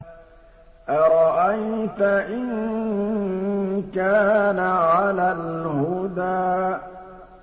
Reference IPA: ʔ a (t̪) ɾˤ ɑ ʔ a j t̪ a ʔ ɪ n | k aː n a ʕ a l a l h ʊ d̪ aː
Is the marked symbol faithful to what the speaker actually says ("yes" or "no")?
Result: no